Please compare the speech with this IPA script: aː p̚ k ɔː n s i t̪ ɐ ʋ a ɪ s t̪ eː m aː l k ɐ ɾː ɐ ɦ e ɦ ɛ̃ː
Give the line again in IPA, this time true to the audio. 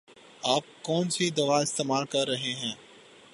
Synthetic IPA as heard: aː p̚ k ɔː n s i d̪ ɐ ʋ a ɪ s t̪ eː m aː l k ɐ ɾː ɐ ɦ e ɦ ɛ̃ː